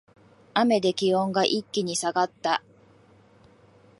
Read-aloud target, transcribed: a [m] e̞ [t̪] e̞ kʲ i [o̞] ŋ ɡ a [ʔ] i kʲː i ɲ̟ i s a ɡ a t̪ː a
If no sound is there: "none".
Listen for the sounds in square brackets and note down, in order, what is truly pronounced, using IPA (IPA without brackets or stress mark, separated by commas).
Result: m, d̪, õ̞, ʔ